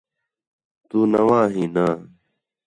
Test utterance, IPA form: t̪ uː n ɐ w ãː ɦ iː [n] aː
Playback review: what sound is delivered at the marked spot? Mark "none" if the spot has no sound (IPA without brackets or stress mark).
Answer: n